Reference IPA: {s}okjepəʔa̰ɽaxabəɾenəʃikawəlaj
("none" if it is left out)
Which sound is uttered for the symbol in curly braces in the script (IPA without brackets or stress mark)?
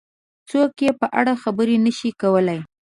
t͡s